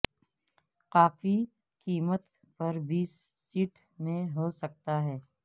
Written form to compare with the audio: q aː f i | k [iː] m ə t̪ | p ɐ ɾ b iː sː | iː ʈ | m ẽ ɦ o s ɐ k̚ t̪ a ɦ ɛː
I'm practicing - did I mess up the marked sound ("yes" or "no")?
no